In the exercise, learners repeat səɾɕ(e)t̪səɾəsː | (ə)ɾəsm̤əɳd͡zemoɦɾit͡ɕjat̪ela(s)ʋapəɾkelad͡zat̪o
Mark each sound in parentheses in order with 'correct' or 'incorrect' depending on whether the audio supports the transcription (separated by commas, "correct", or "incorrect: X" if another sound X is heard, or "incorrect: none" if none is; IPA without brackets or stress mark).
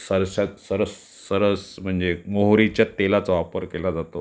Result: incorrect: a, correct, incorrect: t͡s